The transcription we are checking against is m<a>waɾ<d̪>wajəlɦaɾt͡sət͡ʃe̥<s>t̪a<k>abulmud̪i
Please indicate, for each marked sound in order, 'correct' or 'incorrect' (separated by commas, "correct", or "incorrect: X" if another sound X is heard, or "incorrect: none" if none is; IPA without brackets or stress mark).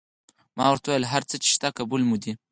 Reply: incorrect: ɑ, incorrect: t̪, incorrect: ʃ, correct